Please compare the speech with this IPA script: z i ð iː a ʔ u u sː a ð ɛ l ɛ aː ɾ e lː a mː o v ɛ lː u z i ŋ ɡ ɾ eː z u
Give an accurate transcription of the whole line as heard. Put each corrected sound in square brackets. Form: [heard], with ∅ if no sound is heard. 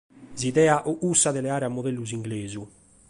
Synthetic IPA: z i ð [ɛː] a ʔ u u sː a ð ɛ l ɛ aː ɾ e [∅] a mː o [ð] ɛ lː u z i ŋ ɡ [l] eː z u

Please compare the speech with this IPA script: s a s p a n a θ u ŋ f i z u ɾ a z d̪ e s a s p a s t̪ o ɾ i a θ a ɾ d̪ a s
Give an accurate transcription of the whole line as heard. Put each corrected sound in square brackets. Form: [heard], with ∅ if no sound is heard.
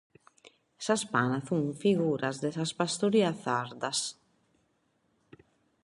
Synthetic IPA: s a s p a n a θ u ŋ f i [ɣ] u ɾ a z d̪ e s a s p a s t̪ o ɾ i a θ a ɾ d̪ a s

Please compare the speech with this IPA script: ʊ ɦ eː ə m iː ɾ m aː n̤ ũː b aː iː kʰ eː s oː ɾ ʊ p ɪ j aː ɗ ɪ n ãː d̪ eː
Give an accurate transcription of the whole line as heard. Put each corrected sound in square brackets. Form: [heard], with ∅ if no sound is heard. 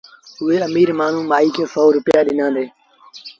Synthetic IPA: ʊ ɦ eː ə m iː ɾ m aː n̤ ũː [m] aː iː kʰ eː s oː ɾ ʊ p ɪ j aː ɗ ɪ n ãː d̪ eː

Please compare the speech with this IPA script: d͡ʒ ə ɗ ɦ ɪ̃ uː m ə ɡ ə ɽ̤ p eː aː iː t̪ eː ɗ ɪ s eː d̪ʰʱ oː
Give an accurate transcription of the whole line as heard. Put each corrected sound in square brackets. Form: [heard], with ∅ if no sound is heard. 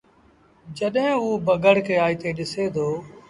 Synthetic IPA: d͡ʒ ə ɗ ɦ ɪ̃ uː [b] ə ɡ ə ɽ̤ [k] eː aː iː t̪ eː ɗ ɪ s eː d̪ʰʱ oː

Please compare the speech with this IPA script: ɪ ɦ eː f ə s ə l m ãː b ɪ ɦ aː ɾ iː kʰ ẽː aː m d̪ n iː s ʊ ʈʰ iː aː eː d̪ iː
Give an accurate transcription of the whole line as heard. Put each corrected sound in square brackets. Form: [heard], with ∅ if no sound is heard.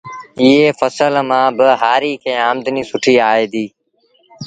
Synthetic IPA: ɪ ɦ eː f ə s ə l m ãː b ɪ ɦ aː ɾ iː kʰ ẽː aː m d̪ n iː s ʊ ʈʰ iː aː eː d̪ iː

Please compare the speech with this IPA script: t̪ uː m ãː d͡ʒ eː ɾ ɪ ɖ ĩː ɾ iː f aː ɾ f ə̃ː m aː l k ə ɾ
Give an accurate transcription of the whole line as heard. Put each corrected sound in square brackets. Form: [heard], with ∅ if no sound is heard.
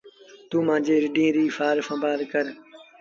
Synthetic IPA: t̪ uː m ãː d͡ʒ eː ɾ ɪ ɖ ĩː ɾ iː f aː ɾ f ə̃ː [b] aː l k ə ɾ

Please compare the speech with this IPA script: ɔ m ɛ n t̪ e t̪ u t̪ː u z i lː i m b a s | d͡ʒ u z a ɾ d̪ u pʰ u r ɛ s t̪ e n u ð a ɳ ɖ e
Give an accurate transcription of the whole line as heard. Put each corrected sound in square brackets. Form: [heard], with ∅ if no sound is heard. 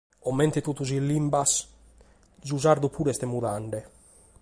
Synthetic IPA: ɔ m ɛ n t̪ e t̪ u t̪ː u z i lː i m b a s | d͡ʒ u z a ɾ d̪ u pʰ u [ɾ] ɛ s t̪ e [m] u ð a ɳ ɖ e

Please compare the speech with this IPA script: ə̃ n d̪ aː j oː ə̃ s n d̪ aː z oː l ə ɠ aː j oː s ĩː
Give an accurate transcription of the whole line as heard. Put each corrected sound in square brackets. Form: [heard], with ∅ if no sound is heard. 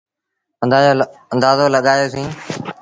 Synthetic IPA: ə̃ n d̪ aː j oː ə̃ [∅] n d̪ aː z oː l ə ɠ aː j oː s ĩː

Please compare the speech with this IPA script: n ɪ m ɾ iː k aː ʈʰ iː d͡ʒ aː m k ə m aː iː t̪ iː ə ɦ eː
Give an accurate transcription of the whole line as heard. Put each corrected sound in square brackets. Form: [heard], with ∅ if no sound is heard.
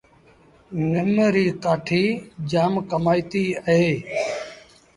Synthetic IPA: n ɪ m ɾ iː k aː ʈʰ iː d͡ʒ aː m k ə m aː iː t̪ iː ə ɦ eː

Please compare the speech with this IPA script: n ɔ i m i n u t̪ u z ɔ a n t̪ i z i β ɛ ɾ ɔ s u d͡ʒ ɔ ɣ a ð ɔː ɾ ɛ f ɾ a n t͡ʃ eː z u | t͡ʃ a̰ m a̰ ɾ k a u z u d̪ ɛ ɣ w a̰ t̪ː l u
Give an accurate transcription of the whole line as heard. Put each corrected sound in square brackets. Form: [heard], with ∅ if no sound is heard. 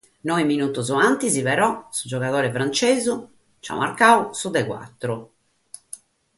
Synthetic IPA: n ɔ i m i n u t̪ u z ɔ a n t̪ i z i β ɛ ɾ ɔ s u d͡ʒ ɔ ɣ a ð ɔː ɾ ɛ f ɾ a n t͡ʃ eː z u | t͡ʃ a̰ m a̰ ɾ k a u [s] u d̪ ɛ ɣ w a̰ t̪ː [ɾ] u

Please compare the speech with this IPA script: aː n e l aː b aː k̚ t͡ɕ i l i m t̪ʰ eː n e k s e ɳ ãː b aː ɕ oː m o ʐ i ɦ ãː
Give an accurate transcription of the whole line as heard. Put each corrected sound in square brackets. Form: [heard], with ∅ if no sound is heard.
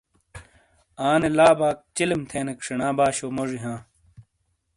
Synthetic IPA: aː n e l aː b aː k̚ t͡ɕ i l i m t̪ʰ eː n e k [ʂ] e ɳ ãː b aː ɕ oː m o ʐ i ɦ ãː

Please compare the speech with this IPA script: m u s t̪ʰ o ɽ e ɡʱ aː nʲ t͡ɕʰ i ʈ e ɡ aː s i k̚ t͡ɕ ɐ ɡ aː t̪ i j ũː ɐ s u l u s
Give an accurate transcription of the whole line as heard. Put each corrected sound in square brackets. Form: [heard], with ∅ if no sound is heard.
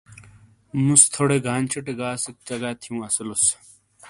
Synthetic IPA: m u s t̪ʰ o ɽ e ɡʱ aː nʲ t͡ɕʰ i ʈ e ɡ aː s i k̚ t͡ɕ ɐ ɡ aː [t̪ʰ] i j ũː ɐ s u l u s

